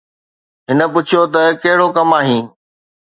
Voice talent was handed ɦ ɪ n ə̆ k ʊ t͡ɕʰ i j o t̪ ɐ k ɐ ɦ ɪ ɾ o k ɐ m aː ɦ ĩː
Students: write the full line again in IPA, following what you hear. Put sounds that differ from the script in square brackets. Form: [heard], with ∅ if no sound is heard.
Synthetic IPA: ɦ ɪ n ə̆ [p] ʊ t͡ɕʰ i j o t̪ ɐ k ɐ ɦ ɪ [ɽ] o k ɐ m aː ɦ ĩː

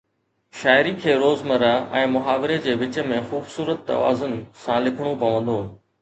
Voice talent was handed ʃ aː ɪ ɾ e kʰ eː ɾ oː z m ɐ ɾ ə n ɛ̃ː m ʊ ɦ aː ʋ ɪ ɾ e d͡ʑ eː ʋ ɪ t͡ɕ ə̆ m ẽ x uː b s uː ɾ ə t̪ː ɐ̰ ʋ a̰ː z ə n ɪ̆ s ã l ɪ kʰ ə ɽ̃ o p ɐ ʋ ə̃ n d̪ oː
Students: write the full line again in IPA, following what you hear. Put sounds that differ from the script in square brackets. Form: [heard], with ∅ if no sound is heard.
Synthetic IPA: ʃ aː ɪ ɾ [i] kʰ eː ɾ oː z m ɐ ɾ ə [∅] ɛ̃ː m ʊ ɦ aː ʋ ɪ ɾ e d͡ʑ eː ʋ ɪ t͡ɕ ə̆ m ẽ x uː b s uː ɾ ə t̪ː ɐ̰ ʋ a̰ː z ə n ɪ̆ s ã l ɪ kʰ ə ɽ̃ o p ɐ ʋ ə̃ n d̪ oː

